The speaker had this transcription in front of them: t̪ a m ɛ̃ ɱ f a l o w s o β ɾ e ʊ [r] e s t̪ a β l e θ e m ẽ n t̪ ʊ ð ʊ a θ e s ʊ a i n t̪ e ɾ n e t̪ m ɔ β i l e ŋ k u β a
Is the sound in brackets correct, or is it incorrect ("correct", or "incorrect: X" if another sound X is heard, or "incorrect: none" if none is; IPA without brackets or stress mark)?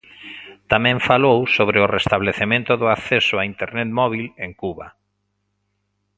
correct